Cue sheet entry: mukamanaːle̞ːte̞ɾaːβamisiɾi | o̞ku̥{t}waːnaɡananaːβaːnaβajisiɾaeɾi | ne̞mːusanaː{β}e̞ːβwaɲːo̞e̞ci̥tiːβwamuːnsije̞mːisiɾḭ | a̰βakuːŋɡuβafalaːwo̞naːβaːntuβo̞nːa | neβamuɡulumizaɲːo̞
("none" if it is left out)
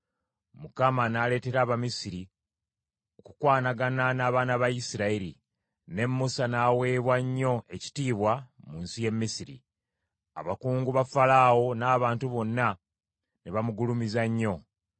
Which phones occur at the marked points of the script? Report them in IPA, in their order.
k, w

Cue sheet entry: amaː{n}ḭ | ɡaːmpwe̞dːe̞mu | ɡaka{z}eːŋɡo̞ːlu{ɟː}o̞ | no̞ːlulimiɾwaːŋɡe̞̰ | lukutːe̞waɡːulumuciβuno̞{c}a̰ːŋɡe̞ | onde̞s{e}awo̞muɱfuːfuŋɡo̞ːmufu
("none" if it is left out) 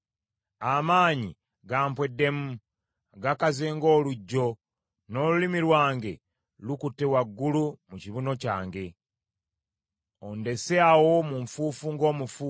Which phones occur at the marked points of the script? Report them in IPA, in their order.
ɲ, z, ɟː, c, e

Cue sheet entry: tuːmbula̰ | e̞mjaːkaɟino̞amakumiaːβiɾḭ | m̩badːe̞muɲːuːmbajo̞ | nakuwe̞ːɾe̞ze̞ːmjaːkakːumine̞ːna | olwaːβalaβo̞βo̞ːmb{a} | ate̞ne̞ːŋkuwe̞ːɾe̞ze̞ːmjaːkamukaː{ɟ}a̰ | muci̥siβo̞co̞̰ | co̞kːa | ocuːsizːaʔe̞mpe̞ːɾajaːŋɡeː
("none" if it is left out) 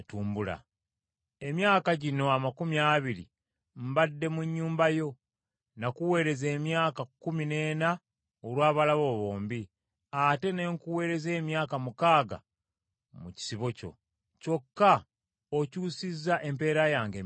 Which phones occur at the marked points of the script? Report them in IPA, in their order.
i, ɡ

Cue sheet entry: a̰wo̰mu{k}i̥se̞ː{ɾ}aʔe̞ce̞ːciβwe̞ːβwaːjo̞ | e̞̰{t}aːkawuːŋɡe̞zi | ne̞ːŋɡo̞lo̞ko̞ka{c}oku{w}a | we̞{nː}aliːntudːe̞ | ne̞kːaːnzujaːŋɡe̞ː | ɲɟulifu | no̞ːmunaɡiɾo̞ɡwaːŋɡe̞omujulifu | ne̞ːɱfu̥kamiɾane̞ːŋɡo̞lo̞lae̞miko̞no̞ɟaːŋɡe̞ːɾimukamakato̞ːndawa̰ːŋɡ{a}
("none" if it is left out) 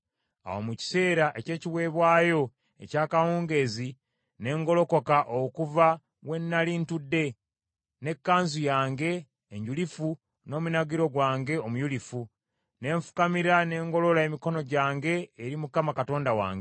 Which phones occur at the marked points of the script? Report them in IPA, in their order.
c, ɾ, c, ʔ, v, nː, e

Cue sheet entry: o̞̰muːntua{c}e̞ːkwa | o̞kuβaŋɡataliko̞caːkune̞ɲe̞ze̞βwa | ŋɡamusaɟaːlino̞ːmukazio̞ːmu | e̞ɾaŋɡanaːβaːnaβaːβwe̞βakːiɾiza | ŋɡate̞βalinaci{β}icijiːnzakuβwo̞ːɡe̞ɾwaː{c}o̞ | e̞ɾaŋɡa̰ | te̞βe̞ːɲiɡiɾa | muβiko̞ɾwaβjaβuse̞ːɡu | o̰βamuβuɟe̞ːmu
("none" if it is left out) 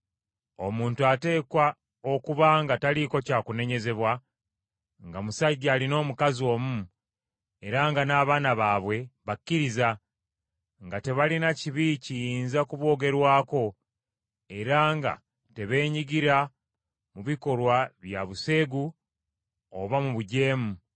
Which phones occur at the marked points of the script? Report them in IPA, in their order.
t, β, k

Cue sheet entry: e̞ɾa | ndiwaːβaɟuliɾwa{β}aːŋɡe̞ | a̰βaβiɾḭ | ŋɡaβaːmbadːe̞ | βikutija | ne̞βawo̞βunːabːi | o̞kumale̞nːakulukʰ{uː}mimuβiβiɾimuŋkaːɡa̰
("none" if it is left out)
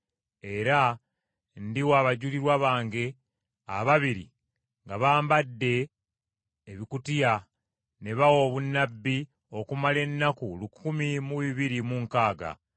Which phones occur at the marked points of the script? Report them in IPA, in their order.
β, u

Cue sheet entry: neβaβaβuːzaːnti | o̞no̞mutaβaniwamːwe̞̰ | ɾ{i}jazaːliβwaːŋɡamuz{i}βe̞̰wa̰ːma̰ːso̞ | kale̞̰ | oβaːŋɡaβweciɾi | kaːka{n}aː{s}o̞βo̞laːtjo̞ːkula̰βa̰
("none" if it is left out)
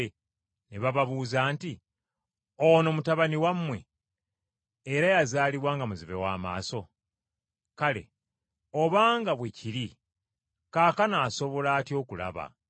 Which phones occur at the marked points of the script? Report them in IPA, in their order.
a, i, n, s

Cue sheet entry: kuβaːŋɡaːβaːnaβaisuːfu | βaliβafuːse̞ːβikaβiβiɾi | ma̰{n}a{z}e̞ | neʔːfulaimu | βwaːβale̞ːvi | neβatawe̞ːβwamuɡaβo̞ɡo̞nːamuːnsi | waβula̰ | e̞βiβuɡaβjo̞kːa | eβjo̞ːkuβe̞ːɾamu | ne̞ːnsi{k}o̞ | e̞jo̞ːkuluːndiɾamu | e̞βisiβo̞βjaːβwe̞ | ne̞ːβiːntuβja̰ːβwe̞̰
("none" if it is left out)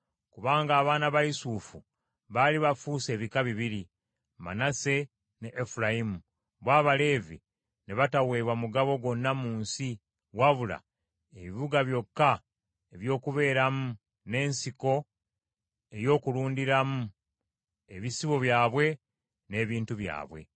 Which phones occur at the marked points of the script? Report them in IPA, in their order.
n, s, k

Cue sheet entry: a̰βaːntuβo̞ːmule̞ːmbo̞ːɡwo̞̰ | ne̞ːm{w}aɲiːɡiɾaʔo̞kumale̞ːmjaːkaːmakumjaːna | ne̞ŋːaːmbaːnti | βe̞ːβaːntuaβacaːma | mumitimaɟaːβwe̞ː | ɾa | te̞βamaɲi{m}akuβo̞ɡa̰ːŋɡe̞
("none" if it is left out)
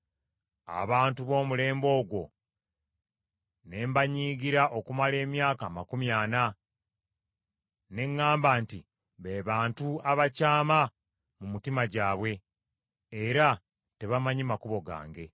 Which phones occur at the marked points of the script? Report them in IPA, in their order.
b, m

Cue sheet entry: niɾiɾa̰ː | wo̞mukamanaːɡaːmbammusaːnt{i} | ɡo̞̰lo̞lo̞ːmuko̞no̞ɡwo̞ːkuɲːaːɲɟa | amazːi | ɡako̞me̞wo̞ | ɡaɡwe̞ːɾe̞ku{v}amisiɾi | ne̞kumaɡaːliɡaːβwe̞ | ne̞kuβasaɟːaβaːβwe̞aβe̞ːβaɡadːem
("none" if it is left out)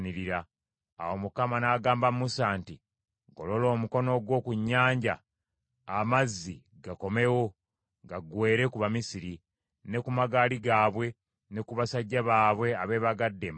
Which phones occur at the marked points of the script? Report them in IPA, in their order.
i, β

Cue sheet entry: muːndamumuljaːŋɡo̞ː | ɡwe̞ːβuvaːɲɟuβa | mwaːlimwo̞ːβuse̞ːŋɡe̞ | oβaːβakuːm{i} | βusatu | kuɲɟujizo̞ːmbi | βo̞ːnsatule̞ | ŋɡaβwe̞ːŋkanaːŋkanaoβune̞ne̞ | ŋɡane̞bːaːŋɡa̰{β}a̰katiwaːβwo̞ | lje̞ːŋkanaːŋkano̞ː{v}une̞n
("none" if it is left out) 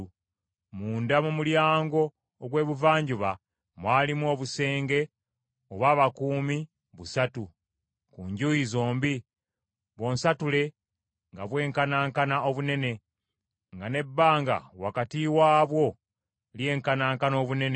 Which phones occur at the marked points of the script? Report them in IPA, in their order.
i, w, β

